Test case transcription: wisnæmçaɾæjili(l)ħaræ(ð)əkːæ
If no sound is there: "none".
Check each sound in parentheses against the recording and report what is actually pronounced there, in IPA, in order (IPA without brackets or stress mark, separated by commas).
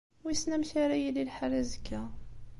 l, z